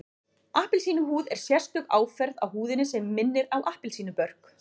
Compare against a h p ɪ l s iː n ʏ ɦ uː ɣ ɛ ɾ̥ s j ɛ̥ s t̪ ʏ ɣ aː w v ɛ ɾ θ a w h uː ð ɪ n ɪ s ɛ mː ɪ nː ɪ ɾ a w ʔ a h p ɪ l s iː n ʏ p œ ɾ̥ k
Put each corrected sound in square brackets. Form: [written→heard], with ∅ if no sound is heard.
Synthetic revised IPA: a h p ɪ l s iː n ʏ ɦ uː [ɣ→ð] ɛ ɾ̥ s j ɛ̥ s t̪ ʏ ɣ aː w [v→f] ɛ ɾ [θ→ð] a w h uː ð ɪ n ɪ s ɛ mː ɪ nː ɪ ɾ a w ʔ a h p ɪ l s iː n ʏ p œ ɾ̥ k